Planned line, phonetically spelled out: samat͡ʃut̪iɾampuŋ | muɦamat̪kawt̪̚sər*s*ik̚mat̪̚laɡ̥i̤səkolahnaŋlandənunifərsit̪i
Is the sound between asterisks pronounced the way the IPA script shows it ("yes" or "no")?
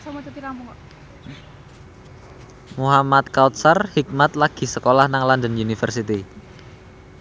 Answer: no